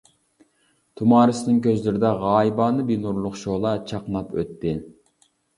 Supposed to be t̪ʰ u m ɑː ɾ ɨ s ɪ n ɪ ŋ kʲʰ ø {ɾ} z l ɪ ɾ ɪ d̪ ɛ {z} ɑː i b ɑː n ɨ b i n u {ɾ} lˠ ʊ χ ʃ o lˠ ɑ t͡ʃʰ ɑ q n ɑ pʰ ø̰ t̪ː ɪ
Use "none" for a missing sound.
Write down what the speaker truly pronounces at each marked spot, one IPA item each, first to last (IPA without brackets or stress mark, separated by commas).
none, ʁ, ɾ